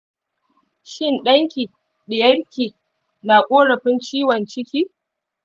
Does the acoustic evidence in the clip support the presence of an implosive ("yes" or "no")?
yes